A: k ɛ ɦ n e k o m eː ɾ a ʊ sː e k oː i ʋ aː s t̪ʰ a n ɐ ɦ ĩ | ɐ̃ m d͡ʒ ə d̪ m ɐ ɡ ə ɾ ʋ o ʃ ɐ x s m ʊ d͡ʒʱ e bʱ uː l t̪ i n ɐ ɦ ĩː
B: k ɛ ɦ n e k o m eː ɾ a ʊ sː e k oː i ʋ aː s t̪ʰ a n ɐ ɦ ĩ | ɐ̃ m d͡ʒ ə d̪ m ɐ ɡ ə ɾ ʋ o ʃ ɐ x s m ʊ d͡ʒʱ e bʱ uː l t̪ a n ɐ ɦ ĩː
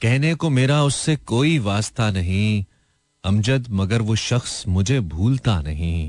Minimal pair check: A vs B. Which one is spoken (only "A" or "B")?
B